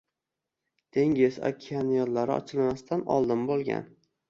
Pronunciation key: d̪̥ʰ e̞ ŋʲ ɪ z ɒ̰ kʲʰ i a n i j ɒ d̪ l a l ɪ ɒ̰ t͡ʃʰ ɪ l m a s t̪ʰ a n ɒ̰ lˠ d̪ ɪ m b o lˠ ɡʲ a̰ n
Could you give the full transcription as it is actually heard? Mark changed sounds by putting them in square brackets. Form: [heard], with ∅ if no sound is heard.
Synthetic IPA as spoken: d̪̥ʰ e̞ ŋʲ ɪ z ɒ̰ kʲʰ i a n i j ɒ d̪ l a [ɾ] ɪ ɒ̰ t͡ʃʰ ɪ l m a s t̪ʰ a n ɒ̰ lˠ d̪ ɪ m b o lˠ ɡʲ a̰ n